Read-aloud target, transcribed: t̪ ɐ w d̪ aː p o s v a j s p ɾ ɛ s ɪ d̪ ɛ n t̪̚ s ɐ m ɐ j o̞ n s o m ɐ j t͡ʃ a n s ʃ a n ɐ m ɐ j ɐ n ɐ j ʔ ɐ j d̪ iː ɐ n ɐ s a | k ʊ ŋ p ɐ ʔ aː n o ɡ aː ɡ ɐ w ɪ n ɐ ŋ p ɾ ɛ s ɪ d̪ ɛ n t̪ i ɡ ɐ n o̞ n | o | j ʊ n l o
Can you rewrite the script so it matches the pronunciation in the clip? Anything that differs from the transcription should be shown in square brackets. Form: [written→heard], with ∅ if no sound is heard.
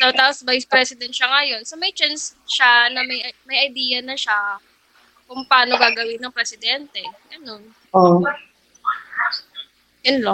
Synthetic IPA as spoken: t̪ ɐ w [d̪→t̪] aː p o s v a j s p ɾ ɛ s ɪ d̪ ɛ n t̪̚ [s→ʃ] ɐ [m→ŋ] ɐ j o̞ n s o m ɐ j t͡ʃ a n s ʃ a n ɐ m ɐ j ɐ [n→m] ɐ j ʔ ɐ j d̪ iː ɐ n ɐ [s→ʃ] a | k ʊ ŋ p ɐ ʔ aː n o ɡ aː ɡ ɐ w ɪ n ɐ ŋ p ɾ ɛ s ɪ d̪ ɛ n t̪ [i→ɛ] ɡ ɐ n o̞ n | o | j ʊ n l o